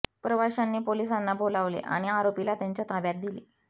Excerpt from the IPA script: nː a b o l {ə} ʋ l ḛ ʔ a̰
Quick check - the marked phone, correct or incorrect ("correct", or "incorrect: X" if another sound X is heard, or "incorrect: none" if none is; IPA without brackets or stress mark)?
incorrect: a